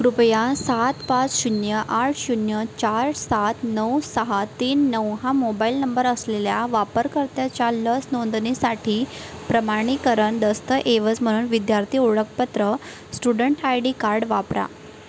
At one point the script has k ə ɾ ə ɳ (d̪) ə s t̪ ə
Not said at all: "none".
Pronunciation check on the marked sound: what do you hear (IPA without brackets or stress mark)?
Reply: d̪